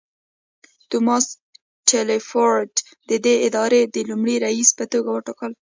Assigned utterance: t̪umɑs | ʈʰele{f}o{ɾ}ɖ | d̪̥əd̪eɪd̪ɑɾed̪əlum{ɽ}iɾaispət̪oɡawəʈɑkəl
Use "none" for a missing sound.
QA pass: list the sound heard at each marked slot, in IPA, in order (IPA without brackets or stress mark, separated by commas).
f, ɾ, ɽ